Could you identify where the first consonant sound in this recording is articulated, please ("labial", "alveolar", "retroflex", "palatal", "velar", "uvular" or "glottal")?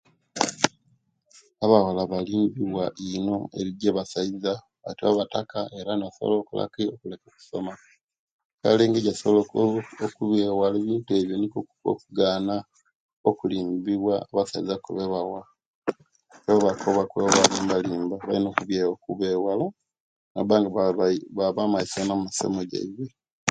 labial